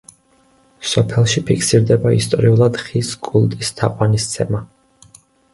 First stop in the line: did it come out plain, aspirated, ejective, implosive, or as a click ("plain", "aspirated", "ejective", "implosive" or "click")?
aspirated